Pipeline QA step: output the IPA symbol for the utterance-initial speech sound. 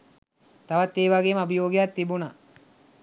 t̪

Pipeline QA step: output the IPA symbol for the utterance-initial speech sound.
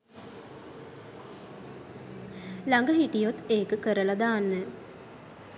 l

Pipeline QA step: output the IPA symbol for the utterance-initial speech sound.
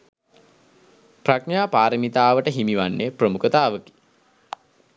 p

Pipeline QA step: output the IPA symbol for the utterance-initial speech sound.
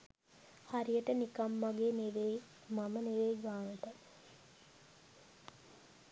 h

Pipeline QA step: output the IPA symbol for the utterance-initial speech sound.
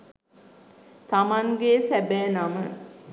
t̪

